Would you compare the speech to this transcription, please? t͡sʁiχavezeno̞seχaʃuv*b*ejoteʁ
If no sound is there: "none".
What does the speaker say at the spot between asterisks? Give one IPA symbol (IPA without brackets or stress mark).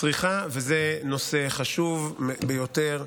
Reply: b